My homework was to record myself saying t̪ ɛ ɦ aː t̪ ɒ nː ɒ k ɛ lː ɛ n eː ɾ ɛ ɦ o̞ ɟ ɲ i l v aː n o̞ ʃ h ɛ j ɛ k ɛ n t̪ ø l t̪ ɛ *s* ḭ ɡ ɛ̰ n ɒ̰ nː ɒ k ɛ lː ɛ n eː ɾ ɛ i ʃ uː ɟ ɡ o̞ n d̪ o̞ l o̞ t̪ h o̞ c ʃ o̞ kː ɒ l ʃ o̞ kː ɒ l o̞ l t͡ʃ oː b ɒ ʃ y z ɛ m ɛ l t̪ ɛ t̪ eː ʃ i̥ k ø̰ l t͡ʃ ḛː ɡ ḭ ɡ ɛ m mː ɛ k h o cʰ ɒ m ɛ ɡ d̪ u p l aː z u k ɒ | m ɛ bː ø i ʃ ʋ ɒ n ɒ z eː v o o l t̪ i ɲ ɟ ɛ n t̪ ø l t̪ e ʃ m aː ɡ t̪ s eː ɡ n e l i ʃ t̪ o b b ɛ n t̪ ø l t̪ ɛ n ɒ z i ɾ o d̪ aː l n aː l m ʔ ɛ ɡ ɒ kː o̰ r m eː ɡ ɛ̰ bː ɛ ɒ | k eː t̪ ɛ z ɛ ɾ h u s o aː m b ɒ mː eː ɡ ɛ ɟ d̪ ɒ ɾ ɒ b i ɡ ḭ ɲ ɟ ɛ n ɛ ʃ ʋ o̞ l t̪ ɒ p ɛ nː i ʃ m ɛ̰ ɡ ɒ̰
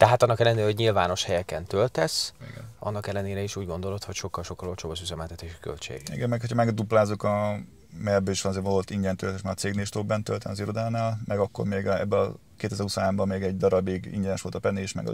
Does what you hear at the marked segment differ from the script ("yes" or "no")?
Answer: no